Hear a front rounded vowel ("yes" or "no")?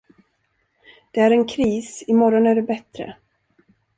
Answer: no